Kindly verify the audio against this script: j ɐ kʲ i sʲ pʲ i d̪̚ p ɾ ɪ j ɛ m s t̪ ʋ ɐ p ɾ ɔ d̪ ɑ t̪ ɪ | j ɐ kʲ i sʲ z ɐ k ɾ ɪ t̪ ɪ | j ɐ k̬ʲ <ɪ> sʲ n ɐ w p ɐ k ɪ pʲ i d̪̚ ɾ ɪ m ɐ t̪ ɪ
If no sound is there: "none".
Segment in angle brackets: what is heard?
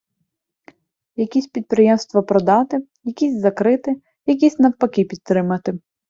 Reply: i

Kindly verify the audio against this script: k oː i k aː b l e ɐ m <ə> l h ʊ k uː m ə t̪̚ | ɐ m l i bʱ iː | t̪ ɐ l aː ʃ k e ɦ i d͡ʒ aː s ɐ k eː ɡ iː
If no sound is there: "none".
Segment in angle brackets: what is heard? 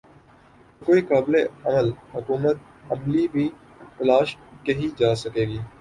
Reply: ə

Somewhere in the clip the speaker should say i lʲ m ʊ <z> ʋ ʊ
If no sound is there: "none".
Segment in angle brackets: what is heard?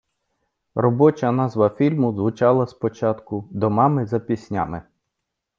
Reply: z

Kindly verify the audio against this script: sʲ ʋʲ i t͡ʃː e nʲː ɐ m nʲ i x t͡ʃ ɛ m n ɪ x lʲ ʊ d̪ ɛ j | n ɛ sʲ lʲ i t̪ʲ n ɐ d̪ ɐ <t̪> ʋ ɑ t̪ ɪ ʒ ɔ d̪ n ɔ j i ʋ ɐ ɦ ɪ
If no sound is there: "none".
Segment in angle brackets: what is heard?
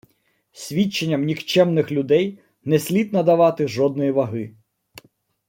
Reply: none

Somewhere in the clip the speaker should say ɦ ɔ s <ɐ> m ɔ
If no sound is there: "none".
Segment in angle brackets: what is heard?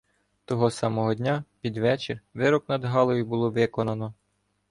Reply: ɑ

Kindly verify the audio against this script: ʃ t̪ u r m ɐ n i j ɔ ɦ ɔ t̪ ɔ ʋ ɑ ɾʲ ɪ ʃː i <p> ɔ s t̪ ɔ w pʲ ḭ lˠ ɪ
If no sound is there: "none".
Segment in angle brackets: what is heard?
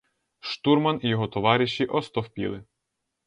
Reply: ʔ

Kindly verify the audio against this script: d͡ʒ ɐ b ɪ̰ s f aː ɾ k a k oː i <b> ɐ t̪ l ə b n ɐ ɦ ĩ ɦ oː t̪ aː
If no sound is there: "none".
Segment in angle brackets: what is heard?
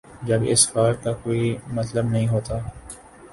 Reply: m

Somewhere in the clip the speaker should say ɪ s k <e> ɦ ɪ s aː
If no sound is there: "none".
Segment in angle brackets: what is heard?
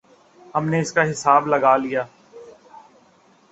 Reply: a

